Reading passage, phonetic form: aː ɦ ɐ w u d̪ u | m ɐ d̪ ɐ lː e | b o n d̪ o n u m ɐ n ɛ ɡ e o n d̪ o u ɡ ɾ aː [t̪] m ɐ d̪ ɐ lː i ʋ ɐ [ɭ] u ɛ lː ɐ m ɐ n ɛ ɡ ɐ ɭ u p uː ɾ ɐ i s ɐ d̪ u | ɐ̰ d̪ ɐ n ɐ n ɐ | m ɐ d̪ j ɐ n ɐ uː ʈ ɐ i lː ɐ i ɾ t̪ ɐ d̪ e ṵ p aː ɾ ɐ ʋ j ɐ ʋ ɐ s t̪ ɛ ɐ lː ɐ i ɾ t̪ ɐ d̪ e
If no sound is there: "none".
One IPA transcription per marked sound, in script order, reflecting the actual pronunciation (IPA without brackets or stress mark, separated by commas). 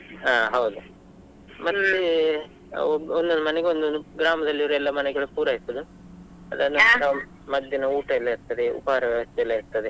none, ɾ